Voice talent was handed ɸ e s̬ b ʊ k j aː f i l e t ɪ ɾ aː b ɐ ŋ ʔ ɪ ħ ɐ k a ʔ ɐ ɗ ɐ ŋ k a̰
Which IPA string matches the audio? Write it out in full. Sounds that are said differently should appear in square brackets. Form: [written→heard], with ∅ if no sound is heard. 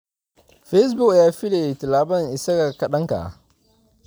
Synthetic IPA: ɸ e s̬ b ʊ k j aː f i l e t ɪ [ɾ→l] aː b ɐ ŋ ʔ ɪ [ħ→s] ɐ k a [ʔ→k] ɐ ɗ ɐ ŋ k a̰